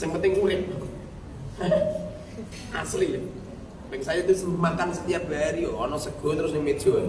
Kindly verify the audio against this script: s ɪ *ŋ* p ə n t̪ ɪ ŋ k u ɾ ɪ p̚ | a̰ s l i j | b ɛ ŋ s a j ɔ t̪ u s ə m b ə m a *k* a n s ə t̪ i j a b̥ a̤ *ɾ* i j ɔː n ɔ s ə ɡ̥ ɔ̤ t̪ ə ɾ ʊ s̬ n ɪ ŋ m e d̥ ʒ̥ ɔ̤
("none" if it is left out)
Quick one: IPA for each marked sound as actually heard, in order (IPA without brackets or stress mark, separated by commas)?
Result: ŋ, k, ɾ